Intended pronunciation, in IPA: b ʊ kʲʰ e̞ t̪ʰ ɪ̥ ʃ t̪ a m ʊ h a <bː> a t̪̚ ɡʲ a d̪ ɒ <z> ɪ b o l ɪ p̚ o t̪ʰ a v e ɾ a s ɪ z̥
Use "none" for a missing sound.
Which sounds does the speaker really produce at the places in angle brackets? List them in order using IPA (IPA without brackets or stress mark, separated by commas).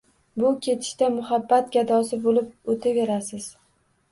bː, s